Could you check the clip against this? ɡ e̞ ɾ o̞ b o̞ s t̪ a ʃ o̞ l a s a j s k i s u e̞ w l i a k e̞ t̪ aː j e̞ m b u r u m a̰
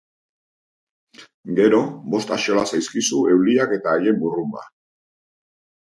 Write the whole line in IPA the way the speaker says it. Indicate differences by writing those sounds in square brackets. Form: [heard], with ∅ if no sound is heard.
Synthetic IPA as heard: ɡ e̞ ɾ o̞ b o̞ s t̪ a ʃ o̞ l a s a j s k i s u e̞ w l i a k e̞ t̪ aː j e̞ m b u r u m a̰